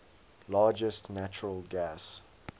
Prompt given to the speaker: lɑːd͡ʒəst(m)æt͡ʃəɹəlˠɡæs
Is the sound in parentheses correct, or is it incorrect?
incorrect: n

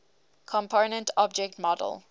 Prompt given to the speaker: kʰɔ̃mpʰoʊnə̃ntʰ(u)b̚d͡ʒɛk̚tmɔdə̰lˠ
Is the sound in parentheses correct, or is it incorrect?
incorrect: ɔ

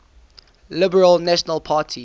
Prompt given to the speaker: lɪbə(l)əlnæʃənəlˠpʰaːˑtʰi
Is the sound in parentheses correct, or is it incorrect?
incorrect: ɹ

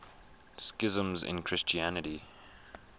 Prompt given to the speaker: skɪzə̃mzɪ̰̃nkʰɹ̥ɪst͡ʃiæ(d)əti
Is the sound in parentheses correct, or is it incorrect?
incorrect: n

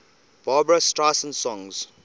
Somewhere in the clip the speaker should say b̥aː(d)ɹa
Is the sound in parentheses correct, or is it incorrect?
incorrect: b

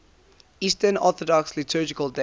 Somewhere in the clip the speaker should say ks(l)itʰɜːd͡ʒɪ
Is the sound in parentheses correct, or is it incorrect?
correct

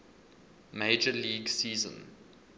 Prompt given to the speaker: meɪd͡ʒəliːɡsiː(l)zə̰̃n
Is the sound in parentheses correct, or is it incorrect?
incorrect: none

